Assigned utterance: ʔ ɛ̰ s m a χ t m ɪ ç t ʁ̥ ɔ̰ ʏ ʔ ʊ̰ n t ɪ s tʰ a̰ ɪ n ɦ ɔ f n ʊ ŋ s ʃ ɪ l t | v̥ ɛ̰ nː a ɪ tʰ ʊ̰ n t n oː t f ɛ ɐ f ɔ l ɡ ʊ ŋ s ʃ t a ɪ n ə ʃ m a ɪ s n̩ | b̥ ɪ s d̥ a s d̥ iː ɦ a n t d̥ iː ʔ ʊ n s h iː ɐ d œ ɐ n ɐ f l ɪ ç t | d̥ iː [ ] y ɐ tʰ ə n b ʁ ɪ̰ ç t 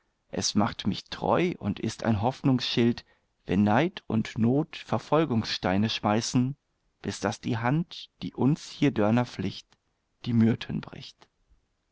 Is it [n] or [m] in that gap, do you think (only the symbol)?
m